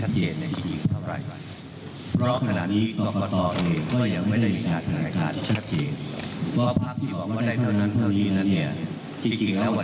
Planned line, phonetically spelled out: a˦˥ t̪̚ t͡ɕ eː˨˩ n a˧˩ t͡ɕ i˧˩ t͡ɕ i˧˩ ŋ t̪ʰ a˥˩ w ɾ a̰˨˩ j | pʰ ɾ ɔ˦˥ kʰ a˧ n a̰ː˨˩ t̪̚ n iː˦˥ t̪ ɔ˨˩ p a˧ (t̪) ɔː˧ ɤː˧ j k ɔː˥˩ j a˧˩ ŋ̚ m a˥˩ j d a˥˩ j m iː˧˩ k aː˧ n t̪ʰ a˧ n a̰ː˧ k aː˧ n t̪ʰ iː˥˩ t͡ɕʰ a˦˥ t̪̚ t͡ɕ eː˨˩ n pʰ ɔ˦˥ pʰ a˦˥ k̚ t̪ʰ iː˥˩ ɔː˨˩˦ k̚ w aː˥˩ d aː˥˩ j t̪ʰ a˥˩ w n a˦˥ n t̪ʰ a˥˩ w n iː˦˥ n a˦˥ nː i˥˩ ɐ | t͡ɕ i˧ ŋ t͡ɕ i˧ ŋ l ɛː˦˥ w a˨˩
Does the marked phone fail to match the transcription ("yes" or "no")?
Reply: no